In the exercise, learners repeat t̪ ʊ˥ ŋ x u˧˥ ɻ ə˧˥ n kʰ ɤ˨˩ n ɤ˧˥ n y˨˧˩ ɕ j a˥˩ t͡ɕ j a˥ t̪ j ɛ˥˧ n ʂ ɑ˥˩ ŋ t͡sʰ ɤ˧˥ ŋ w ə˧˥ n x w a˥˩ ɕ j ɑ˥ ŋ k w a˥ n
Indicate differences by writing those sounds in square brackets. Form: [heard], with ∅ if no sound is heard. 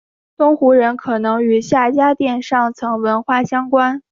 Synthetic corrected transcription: t̪ ʊ˥ ŋ x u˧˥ ɻ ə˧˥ n kʰ ɤ˨˩ n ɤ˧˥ [ŋ] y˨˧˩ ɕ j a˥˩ t͡ɕ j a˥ t̪ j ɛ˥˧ n ʂ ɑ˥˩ ŋ t͡sʰ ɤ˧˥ ŋ w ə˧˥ n x w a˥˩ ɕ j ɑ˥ ŋ k w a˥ n